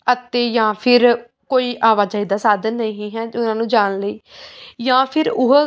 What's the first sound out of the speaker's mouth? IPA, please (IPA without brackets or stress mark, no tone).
ə